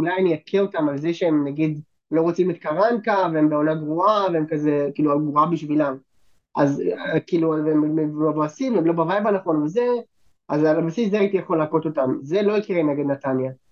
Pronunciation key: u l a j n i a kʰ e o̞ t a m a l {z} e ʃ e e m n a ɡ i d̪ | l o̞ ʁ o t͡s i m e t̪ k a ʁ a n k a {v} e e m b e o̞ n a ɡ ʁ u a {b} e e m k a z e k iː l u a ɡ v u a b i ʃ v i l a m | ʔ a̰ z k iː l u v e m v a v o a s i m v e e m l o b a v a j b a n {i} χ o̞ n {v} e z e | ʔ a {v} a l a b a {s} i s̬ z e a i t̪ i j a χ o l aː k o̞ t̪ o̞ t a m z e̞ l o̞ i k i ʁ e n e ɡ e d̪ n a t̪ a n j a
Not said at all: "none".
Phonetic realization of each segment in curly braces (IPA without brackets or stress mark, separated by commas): z, v, v, a, v, z, s